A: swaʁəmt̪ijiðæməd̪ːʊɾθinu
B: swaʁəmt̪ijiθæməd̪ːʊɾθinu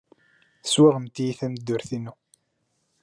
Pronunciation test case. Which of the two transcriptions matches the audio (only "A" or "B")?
B